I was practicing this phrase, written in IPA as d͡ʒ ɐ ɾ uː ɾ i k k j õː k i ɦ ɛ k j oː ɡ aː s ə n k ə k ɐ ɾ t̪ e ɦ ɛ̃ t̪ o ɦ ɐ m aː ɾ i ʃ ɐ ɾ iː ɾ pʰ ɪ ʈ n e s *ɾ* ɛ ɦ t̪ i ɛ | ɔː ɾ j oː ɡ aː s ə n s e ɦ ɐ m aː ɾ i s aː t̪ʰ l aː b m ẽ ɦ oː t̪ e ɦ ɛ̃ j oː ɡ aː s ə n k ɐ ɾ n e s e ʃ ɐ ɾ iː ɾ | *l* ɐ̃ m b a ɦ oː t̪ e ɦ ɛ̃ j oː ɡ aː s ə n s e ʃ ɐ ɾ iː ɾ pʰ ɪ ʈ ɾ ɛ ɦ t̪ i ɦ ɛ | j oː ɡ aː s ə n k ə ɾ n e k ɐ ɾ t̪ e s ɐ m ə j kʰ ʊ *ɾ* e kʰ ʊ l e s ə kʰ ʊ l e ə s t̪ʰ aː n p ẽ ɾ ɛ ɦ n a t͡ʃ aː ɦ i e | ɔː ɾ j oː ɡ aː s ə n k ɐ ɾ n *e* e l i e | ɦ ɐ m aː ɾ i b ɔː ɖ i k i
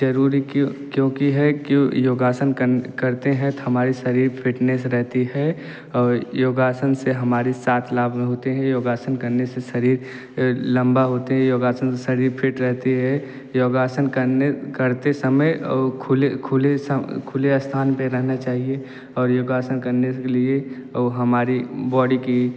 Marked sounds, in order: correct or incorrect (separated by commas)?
correct, correct, incorrect, correct